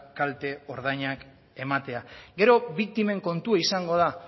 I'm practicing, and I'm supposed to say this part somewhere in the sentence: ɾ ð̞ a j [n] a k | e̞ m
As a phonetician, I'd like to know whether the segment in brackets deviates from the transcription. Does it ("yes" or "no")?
yes